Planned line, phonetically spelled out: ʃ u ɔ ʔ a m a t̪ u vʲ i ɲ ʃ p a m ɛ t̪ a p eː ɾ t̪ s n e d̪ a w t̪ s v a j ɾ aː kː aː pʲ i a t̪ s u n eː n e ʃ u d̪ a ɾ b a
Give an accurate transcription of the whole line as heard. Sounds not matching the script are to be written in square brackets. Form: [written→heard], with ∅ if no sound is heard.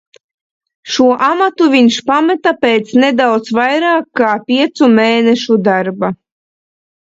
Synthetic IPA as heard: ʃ u ɔ ʔ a m a t̪ u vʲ i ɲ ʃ p a m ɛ t̪ a p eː [ɾ→∅] t̪ s n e d̪ a w t̪ s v a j ɾ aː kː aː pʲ i [a→ɛ] t̪ s u [n→m] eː n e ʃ u d̪ a ɾ b a